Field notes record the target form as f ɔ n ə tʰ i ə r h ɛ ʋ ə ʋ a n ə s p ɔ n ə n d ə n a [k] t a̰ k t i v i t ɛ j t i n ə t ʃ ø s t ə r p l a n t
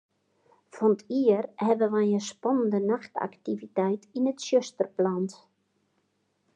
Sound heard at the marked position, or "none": x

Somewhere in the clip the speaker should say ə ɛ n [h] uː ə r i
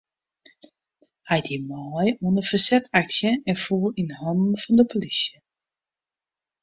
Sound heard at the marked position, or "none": f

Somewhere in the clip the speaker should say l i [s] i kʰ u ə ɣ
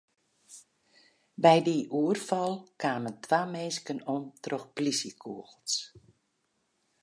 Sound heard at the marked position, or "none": s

